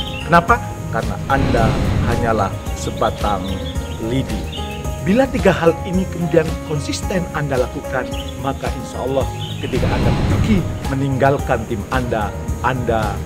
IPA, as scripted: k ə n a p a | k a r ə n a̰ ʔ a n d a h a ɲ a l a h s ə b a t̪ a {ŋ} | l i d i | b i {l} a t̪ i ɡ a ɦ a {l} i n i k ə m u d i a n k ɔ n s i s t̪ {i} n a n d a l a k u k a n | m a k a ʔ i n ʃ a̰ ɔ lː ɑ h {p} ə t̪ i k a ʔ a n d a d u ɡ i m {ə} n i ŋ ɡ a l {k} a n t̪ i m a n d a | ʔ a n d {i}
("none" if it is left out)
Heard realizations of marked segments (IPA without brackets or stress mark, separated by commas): ŋ, l, l, ɛ, k, ə, k, a